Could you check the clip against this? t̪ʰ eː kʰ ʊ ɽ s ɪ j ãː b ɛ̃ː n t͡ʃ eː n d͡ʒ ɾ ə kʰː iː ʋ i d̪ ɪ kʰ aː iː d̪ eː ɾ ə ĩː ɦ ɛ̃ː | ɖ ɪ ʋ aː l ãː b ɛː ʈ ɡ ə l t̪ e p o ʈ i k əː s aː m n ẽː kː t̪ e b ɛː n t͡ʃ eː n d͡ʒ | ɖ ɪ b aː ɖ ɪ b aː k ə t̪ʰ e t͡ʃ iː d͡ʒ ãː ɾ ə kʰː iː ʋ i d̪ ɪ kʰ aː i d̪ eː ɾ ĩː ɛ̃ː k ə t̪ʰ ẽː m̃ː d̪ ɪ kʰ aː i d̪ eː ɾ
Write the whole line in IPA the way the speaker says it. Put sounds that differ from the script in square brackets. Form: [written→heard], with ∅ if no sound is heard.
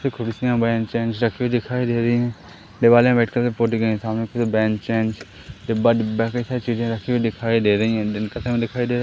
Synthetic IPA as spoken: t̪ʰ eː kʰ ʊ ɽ s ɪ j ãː b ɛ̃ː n t͡ʃ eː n d͡ʒ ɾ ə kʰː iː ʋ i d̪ ɪ kʰ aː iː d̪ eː ɾ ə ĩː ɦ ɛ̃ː | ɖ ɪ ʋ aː l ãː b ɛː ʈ [ɡ→k] ə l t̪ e p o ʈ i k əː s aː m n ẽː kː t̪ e b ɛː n t͡ʃ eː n d͡ʒ | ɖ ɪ b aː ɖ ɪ b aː k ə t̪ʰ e t͡ʃ iː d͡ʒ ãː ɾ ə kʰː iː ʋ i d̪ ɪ kʰ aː i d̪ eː ɾ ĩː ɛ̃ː k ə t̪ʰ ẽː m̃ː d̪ ɪ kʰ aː i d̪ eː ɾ